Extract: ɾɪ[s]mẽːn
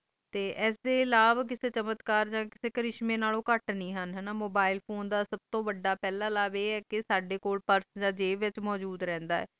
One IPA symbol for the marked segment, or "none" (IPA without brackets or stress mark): ʃ